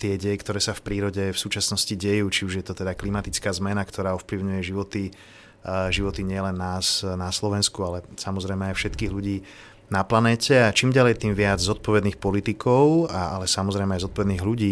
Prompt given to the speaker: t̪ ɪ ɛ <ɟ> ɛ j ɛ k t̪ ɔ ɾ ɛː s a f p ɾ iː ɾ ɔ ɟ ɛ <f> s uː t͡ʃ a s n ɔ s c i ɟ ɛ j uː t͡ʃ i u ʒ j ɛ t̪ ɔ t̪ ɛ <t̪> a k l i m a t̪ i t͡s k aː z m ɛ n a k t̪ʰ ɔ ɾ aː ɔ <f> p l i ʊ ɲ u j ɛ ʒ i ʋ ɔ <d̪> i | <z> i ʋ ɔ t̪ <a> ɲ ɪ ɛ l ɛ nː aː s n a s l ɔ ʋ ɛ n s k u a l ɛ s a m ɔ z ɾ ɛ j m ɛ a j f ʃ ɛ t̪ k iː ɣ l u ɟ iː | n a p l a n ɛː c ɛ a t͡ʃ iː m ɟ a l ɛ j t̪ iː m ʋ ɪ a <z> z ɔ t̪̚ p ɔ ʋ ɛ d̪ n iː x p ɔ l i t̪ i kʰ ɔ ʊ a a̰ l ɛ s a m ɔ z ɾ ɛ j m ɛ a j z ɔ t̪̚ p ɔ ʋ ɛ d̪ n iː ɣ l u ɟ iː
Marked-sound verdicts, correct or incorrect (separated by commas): correct, correct, incorrect, correct, incorrect, incorrect, incorrect, incorrect